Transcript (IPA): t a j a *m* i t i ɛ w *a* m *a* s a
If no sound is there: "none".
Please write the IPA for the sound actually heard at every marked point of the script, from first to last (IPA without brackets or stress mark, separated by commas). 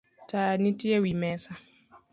n, i, ɛ